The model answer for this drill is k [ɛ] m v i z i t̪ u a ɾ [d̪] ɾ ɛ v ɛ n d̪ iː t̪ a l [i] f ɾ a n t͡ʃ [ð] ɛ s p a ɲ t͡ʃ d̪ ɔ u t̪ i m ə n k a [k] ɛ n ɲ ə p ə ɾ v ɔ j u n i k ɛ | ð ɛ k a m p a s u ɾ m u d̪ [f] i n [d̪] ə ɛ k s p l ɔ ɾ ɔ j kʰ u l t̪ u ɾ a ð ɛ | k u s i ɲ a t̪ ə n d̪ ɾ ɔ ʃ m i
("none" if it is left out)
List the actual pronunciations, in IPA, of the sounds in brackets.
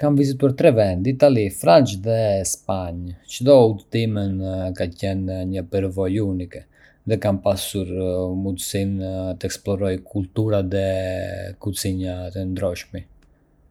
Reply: a, t̪, i, ð, c, s, t̪

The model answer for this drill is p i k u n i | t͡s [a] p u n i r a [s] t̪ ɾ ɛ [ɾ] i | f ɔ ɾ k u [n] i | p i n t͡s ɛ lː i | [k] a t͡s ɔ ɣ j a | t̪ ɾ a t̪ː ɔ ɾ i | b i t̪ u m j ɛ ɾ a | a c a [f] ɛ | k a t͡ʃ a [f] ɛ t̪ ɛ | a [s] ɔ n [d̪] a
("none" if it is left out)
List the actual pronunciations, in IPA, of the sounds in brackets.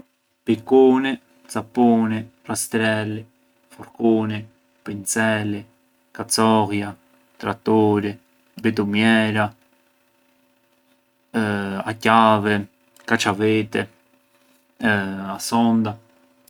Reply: a, s, l, n, k, v, v, s, d̪

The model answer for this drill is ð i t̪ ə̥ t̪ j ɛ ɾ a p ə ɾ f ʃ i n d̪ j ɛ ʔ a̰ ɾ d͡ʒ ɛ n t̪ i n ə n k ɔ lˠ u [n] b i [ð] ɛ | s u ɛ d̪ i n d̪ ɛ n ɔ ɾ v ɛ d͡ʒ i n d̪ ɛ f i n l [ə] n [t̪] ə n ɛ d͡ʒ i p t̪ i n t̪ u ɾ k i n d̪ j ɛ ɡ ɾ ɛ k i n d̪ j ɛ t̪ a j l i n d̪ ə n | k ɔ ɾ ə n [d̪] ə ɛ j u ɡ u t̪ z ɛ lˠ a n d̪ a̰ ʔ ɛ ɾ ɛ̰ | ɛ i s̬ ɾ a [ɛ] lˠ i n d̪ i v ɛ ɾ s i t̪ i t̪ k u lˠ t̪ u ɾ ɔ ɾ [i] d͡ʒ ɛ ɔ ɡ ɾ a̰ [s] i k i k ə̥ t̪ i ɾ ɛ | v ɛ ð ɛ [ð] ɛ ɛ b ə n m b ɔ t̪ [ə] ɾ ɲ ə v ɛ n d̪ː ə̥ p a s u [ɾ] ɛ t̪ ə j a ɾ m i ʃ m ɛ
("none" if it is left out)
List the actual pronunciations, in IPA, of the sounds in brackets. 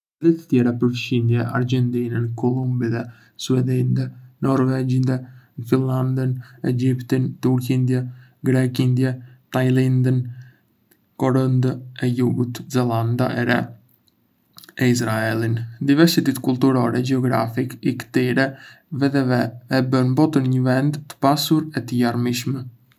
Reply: m, ð, a, d̪, d̪, ɛ, ɛ, f, v, ə, ɾ

